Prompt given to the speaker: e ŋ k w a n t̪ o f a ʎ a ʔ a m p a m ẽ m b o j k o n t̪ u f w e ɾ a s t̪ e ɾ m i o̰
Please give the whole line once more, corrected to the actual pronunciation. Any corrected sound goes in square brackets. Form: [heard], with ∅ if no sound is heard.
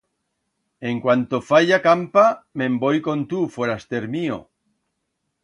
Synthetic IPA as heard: e ŋ k w a n t̪ o f a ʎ a [k] a m p a m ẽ m b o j k o n t̪ u f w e ɾ a s t̪ e ɾ m i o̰